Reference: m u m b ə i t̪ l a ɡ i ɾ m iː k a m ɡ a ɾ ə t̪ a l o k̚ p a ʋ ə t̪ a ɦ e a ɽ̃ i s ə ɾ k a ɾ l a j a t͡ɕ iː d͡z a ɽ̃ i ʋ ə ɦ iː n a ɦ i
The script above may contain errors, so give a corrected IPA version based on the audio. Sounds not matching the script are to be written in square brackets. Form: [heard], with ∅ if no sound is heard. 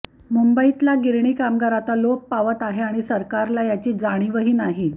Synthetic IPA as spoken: m u m b ə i t̪ l a ɡ i ɾ [ɳ] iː k a m ɡ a ɾ [a] t̪ a l o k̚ p a ʋ ə t̪ a ɦ e a ɽ̃ i s ə ɾ k a ɾ l a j a t͡ɕ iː d͡z a ɽ̃ i ʋ ə ɦ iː n a ɦ i